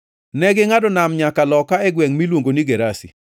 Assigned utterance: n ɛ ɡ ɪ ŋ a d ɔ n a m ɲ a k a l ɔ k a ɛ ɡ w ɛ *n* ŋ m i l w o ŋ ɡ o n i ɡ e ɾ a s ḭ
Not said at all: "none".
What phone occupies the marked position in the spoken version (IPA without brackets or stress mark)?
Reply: none